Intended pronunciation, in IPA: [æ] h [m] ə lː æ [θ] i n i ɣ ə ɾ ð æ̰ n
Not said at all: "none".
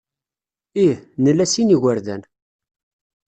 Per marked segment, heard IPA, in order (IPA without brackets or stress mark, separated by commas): i, n, s